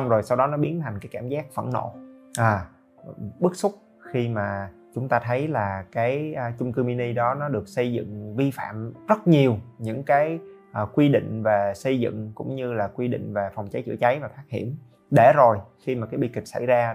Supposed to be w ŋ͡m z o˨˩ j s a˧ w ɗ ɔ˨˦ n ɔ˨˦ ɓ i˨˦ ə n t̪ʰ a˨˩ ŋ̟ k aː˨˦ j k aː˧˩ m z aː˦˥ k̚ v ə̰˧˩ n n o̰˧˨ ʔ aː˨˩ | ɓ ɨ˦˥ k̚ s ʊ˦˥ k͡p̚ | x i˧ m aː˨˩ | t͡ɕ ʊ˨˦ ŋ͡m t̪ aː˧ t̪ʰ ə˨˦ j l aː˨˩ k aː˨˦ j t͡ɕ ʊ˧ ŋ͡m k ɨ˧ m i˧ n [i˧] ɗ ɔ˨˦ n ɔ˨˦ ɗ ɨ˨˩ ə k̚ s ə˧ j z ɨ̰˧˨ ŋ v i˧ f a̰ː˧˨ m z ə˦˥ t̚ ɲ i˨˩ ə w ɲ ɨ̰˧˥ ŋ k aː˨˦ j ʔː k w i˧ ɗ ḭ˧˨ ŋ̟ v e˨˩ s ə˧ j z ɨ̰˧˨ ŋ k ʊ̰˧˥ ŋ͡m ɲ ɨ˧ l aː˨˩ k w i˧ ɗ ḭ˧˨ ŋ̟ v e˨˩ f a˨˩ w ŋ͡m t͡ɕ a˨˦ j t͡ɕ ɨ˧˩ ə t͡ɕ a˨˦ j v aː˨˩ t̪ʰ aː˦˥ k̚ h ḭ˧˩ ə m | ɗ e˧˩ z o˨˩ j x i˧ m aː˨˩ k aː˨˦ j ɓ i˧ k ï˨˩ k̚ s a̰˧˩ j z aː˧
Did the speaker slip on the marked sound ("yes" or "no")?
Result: no